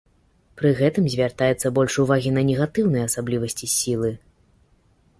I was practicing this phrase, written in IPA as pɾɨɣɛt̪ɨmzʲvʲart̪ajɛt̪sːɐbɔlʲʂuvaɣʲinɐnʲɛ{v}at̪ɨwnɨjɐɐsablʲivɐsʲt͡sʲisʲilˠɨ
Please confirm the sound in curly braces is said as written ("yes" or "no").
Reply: no